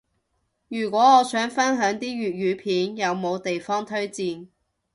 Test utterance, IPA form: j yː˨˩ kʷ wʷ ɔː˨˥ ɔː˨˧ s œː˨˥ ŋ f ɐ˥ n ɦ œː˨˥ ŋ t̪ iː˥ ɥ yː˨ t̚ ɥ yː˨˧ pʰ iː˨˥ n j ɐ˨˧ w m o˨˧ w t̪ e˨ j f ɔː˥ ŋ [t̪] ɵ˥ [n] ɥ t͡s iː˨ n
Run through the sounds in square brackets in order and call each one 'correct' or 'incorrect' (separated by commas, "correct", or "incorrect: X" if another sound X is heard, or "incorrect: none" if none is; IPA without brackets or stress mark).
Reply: incorrect: t̪ʰ, incorrect: none